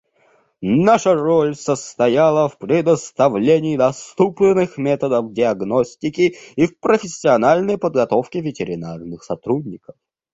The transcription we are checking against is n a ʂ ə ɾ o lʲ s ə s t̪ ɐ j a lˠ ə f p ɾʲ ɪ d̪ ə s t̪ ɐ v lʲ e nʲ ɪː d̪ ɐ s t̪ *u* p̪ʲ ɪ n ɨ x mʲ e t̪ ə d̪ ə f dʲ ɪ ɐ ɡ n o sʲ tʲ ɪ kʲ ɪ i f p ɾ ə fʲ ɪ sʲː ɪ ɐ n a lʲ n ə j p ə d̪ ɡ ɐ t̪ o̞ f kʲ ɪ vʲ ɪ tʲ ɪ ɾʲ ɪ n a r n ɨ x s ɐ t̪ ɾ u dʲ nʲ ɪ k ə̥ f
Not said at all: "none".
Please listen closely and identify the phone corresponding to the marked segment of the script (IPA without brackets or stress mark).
u